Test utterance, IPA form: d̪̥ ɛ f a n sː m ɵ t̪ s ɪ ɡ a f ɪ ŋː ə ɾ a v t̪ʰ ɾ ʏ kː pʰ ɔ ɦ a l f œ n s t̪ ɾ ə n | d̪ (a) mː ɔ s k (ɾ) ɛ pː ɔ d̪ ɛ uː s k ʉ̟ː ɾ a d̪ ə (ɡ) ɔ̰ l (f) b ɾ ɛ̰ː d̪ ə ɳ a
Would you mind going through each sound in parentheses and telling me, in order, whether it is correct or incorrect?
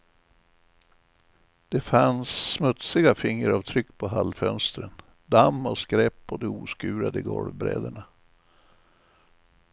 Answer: correct, correct, correct, incorrect: v

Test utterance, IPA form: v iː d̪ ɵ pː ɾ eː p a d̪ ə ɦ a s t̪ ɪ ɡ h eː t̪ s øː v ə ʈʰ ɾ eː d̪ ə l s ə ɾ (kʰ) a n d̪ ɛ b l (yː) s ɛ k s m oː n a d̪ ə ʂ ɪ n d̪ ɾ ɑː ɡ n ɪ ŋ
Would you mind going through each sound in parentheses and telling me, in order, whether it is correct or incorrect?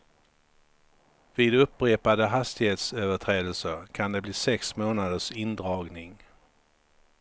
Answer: correct, incorrect: iː

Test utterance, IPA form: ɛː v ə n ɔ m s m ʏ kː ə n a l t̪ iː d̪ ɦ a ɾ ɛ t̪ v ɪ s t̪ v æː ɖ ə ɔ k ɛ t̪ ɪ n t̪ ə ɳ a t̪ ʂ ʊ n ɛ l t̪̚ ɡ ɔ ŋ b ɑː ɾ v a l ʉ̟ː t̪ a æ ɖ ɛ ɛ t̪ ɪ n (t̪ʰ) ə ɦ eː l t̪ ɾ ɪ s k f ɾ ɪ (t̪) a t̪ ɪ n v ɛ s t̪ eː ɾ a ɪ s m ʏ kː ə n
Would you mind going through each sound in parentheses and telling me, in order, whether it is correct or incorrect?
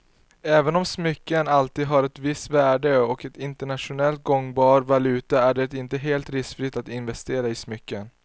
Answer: incorrect: t̪, correct

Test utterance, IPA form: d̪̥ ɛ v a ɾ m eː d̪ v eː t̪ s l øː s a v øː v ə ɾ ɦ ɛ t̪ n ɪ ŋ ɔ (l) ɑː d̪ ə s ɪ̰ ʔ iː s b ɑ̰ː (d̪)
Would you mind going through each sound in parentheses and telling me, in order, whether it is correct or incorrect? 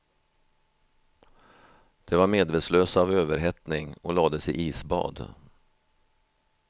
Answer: correct, correct

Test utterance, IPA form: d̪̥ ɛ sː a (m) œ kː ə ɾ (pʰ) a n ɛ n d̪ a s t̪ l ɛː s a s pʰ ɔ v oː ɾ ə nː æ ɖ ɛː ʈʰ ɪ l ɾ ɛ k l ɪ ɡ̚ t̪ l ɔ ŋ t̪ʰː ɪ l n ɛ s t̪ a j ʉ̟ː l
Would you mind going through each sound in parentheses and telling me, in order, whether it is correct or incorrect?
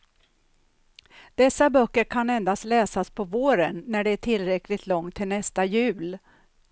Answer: incorrect: b, incorrect: kʰ

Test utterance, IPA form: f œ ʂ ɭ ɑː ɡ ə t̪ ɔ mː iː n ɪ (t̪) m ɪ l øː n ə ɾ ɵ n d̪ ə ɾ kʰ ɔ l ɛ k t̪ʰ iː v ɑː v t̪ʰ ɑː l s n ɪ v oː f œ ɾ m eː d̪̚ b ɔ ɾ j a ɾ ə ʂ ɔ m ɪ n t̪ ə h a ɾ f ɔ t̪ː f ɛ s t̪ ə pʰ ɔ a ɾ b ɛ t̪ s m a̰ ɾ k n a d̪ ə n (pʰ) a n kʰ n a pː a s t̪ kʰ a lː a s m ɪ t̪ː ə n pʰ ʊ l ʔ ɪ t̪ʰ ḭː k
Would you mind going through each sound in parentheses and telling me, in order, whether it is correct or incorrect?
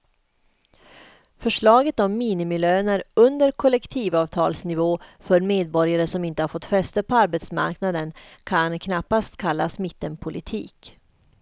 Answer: incorrect: none, incorrect: kʰ

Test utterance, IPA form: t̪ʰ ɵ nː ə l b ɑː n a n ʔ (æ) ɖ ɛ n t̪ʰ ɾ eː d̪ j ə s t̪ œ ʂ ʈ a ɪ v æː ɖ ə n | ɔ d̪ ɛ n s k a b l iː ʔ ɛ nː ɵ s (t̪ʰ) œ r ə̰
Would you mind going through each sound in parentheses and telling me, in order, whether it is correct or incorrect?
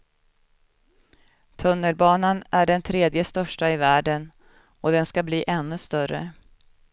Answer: correct, incorrect: t̪

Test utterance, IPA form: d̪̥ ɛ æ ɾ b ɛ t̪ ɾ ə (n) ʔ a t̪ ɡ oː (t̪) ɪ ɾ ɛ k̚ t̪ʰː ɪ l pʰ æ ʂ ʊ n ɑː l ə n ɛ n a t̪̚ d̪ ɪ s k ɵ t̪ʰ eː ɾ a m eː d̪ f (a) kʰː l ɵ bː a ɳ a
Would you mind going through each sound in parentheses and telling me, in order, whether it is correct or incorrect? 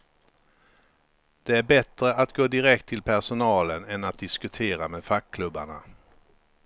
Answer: incorrect: none, incorrect: d̪, correct

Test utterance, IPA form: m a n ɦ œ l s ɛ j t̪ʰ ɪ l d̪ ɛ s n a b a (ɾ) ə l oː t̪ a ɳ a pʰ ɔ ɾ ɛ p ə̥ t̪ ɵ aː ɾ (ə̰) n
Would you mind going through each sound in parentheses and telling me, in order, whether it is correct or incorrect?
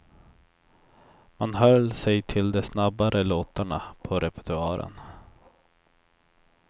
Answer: correct, correct

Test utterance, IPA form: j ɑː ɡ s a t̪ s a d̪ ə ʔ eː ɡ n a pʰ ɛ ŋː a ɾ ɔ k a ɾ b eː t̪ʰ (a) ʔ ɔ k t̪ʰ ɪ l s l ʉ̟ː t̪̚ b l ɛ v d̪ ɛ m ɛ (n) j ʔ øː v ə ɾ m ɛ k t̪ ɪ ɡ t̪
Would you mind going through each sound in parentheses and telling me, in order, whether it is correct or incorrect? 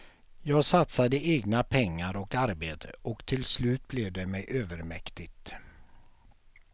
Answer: incorrect: ə, incorrect: none

